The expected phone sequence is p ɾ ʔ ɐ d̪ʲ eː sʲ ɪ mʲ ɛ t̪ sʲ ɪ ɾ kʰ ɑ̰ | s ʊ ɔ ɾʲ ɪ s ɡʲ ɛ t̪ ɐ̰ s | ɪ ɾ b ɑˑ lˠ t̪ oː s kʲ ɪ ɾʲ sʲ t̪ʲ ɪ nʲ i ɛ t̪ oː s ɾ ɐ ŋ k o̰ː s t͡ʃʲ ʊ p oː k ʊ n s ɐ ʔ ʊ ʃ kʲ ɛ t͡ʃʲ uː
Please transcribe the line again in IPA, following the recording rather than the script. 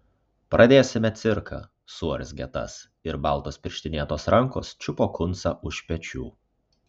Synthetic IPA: p ɾ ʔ ɐ d̪ʲ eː sʲ ɪ mʲ ɛ t̪ sʲ ɪ ɾ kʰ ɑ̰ | s u ɔ ɾʲ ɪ s ɡʲ ɛ t̪ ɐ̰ s | ɪ ɾ b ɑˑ lˠ t̪ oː s pʲ ɪ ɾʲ ʃʲ t̪ʲ ɪ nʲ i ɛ t̪ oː s ɾ ɐ ŋ k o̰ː s t͡ʃʲ ʊ p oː k ʊ n s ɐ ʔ ʊ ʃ pʲ ɛ t͡ʃʲ uː